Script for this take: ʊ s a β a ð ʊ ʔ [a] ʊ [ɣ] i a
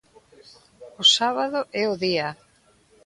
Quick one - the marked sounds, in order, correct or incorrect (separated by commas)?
incorrect, incorrect